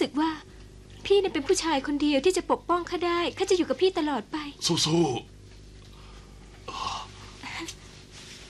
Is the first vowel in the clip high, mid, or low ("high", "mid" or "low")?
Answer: high